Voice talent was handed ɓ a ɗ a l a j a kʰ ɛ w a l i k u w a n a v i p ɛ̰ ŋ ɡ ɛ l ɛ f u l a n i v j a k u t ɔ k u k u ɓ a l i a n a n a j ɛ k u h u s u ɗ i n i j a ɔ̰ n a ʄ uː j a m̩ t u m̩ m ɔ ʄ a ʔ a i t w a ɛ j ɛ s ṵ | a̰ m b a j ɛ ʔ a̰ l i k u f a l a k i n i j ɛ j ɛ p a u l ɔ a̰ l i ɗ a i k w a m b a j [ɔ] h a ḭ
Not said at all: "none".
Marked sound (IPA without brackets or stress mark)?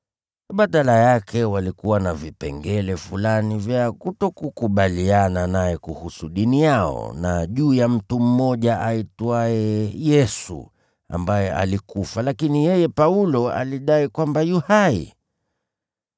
u